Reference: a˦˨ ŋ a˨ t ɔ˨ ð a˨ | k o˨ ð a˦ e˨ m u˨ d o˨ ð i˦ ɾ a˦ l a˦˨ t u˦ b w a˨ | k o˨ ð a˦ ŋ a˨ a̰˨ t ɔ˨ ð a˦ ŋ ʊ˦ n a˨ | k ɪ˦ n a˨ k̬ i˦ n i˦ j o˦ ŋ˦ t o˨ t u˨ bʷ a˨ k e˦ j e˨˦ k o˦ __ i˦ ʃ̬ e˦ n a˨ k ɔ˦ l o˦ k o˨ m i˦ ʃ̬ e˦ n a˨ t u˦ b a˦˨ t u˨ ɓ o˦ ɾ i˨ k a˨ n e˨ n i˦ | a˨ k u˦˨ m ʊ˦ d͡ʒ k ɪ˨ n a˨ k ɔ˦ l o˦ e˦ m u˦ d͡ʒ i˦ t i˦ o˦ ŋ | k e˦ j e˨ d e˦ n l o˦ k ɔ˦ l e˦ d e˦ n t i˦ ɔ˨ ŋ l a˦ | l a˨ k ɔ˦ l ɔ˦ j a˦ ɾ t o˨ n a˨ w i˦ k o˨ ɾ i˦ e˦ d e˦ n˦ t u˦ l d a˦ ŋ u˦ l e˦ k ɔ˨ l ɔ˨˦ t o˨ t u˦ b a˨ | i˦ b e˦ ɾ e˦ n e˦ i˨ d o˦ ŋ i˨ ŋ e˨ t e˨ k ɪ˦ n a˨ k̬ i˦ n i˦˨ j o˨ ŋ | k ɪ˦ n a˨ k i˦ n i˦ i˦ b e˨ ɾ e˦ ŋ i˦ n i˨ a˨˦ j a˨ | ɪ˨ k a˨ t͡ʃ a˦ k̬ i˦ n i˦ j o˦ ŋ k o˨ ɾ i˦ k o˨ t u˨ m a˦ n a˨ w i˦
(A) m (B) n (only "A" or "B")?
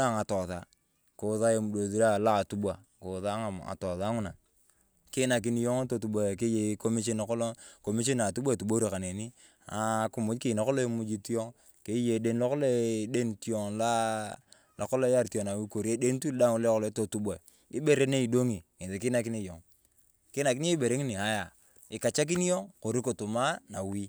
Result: A